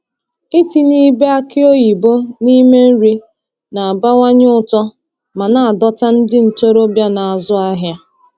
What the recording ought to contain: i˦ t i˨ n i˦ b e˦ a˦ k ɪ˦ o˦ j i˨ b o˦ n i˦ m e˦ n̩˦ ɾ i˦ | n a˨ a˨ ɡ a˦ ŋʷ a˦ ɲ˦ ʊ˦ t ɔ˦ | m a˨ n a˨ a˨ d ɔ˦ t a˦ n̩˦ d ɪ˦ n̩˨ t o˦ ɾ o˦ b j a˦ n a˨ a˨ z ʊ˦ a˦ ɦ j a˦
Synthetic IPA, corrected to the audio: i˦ t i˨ n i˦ b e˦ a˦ k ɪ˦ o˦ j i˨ b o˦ n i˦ m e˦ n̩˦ ɾ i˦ | n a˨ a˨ b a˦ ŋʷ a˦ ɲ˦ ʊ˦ t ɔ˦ | m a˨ n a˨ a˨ d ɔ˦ t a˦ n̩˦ d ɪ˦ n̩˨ t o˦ ɾ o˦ b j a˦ n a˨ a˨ z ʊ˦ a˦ ɦ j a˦